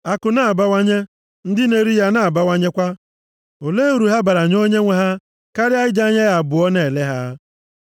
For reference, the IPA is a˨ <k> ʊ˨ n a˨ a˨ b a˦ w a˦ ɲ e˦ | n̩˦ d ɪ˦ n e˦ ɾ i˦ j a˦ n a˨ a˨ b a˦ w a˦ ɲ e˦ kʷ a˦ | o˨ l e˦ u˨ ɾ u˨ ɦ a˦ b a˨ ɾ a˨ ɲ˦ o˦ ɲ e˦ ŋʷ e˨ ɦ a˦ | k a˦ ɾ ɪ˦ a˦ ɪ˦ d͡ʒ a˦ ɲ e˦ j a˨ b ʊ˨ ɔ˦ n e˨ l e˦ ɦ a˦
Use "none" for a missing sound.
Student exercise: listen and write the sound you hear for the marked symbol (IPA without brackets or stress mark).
k